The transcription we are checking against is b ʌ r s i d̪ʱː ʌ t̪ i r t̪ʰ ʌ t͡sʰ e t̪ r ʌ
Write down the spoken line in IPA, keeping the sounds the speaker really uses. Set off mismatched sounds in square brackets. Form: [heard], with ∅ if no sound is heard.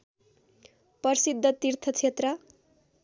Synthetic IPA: [p] ʌ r s i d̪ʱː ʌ t̪ i r t̪ʰ ʌ t͡sʰ e t̪ r ʌ

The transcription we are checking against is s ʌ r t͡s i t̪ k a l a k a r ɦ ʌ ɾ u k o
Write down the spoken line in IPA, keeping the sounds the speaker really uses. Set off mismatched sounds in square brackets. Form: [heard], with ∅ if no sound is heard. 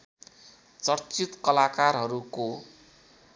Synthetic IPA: [t͡s] ʌ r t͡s i t̪ k [ʌ] l a k a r ɦ ʌ ɾ u k o

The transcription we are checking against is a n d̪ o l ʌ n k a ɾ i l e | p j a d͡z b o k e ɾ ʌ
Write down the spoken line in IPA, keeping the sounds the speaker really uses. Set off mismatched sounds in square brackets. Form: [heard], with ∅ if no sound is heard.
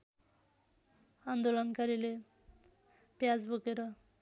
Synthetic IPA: a n d̪ o l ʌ n k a ɾ i l e | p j a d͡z b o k e ɾ ʌ

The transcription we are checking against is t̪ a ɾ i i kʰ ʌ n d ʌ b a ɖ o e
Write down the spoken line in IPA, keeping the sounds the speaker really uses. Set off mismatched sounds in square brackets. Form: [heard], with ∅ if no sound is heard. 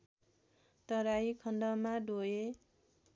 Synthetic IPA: t̪ [ʌ] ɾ [a] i kʰ ʌ n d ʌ [m] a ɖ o e

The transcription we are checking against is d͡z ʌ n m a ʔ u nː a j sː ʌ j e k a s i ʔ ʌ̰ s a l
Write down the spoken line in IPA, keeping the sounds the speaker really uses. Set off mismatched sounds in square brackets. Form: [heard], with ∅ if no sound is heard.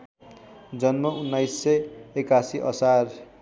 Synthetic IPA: d͡z ʌ n m [ʌ] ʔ u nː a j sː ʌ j e k a s i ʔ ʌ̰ s a [r]

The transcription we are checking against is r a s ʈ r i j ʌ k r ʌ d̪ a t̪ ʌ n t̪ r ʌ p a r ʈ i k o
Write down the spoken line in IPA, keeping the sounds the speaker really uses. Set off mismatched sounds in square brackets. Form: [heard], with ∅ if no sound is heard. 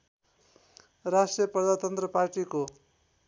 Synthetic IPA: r a s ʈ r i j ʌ [p] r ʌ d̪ a t̪ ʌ n t̪ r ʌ p a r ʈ i k o

